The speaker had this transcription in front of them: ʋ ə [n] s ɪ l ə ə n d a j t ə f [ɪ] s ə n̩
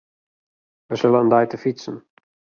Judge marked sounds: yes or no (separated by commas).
no, no